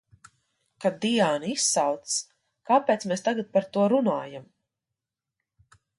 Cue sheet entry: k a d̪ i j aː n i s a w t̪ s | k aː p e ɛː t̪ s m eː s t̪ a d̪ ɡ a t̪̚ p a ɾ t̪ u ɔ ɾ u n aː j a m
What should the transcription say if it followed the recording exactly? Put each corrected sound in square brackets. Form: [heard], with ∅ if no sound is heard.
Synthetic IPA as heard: k a d̪ i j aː n i s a w t̪ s | k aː p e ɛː t̪ s m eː s t̪ a [∅] ɡ a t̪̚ p a ɾ t̪ u ɔ ɾ u n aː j a m